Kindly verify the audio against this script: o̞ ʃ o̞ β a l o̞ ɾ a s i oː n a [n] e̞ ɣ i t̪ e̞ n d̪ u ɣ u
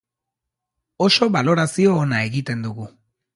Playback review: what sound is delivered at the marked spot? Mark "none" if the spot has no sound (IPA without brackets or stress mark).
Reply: none